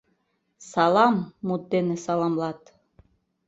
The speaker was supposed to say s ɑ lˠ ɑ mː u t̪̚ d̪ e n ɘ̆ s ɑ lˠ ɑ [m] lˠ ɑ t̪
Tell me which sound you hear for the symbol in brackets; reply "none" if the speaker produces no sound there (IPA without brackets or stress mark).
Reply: m